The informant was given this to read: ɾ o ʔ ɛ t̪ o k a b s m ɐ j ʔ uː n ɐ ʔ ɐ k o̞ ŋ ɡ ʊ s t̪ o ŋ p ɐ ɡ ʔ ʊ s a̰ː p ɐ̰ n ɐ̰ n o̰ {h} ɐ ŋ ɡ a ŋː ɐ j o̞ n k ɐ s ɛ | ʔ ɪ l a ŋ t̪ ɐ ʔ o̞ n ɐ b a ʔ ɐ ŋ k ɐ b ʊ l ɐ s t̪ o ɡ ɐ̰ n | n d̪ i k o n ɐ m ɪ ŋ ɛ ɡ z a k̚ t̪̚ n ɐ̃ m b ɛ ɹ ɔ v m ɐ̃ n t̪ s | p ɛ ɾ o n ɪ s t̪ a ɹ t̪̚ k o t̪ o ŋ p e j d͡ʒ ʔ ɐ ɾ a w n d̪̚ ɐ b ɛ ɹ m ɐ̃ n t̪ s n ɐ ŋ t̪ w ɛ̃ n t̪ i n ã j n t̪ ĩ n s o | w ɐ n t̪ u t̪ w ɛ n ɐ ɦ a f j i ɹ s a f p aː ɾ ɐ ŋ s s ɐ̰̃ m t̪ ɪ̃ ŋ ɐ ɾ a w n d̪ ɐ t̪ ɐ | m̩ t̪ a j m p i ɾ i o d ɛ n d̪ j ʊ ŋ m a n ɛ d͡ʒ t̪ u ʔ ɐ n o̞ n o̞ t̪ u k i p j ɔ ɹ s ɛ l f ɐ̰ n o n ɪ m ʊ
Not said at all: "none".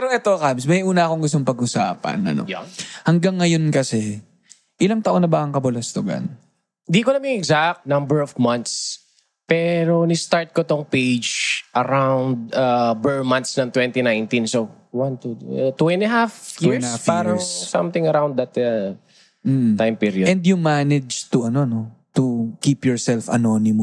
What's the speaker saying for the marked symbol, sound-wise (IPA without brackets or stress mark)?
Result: h